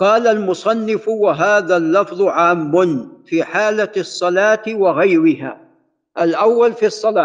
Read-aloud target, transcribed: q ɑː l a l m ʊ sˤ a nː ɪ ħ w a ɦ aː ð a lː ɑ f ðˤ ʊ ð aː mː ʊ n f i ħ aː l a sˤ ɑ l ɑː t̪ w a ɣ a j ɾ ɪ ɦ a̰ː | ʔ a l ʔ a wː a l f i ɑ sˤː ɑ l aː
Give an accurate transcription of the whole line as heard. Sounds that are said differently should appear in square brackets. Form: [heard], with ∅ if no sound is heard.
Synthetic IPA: q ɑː l a l m ʊ sˤ [ɑ] nː ɪ [f] w a ɦ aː ð a lː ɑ f ðˤ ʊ [ʕ] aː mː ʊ n f [iː] ħ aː l a [sˤː] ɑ l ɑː t̪ w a ɣ a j ɾ ɪ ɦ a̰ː | ʔ a l ʔ a wː a l f i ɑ sˤː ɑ l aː